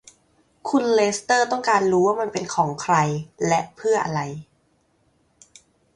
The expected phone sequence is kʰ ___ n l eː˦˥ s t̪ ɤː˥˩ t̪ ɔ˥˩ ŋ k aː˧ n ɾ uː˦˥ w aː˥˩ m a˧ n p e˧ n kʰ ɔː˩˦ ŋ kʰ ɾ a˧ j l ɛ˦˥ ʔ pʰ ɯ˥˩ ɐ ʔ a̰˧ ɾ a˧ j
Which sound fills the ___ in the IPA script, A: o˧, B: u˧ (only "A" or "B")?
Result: B